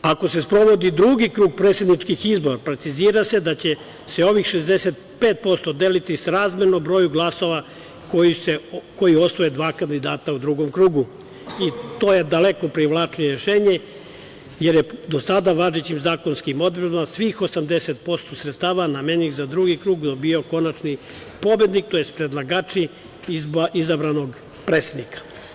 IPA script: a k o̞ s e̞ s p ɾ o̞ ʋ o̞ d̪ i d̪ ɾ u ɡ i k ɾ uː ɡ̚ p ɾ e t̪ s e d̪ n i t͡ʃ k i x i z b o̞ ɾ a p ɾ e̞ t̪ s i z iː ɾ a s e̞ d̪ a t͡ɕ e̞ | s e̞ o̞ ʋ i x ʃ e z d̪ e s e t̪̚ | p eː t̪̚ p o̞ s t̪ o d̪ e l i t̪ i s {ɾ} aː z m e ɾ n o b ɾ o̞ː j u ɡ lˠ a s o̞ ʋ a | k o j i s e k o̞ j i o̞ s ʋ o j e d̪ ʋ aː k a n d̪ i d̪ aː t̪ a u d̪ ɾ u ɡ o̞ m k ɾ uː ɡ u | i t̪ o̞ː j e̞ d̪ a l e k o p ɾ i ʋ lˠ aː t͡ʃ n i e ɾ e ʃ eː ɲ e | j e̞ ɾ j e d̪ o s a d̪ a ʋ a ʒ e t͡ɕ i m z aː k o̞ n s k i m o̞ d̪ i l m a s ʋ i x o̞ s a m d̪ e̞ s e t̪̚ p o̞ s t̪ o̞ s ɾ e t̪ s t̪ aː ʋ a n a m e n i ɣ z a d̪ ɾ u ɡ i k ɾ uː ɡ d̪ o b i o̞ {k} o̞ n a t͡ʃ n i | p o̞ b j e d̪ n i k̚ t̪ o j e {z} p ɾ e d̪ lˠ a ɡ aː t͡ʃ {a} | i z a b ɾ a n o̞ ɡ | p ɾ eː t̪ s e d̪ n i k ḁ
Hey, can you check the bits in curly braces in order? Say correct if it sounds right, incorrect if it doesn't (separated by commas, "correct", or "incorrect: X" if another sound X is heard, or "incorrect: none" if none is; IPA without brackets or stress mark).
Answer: correct, correct, incorrect: s, incorrect: i